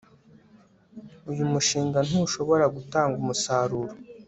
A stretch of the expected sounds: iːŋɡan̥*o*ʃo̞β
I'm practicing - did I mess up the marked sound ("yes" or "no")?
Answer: yes